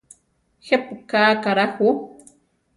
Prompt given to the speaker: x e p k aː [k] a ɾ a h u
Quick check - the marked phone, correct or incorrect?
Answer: correct